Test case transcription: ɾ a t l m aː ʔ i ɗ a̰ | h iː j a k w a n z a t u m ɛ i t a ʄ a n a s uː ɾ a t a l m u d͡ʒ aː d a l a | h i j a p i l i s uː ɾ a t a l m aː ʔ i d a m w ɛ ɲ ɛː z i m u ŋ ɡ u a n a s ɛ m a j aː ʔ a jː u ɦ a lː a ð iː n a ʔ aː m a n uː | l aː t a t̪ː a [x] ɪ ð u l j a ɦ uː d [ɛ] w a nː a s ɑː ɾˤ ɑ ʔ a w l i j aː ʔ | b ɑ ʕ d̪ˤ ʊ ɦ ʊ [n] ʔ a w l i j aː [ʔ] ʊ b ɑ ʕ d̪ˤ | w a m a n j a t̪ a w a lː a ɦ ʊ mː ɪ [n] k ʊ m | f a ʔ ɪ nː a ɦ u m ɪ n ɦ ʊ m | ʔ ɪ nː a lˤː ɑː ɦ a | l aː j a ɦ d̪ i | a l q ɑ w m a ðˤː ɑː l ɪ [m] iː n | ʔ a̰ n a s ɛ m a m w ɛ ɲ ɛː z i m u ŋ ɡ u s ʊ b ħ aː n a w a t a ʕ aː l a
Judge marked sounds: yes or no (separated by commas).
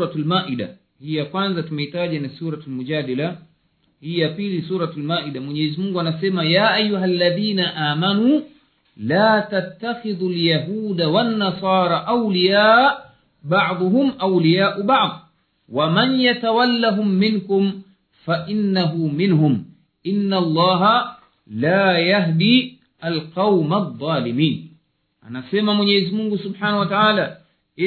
yes, no, no, yes, yes, yes